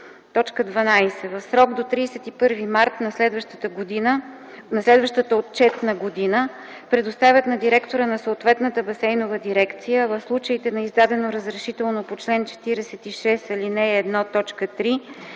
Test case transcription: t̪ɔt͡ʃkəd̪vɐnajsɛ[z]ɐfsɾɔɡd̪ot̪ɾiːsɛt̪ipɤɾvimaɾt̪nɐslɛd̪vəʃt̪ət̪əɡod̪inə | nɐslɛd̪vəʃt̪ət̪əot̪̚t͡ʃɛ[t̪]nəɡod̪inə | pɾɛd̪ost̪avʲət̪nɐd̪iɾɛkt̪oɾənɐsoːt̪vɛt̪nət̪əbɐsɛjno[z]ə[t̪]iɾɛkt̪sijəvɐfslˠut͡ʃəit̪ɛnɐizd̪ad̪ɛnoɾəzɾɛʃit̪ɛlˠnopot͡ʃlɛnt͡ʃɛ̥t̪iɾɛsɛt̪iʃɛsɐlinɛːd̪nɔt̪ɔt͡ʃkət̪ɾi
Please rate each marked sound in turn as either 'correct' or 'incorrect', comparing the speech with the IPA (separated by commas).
incorrect, correct, incorrect, incorrect